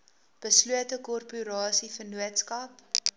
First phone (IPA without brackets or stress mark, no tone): b̥